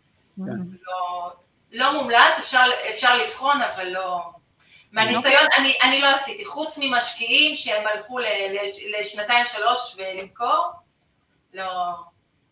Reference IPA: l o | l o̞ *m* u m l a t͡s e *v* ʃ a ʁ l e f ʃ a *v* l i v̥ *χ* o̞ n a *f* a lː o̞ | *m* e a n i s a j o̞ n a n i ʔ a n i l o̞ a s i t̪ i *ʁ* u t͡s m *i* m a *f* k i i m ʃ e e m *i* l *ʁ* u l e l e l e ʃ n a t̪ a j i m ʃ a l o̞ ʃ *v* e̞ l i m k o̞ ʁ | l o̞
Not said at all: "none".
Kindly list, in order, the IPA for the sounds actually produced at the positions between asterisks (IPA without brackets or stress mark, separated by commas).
m, f, ʁ, χ, v, m, χ, i, ʃ, a, χ, v